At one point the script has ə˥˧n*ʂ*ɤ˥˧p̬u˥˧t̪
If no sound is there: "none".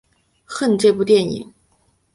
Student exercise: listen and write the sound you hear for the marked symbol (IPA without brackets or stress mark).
ʈ͡ʂ